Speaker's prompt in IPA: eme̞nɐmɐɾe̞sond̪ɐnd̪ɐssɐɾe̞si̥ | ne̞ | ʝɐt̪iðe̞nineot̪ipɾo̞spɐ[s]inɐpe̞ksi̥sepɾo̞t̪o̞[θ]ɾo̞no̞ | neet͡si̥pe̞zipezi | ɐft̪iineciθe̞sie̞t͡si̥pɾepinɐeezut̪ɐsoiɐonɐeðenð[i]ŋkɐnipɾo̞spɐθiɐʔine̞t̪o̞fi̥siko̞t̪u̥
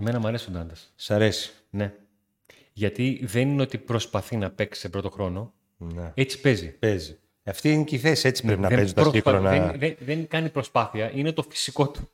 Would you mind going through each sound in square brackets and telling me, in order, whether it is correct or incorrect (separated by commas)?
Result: incorrect, incorrect, incorrect